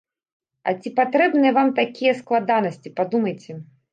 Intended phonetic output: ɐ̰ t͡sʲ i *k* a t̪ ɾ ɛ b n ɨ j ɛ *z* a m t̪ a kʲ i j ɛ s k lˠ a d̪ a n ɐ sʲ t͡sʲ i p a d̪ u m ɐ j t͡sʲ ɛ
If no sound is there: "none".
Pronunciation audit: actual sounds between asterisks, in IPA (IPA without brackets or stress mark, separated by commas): p, v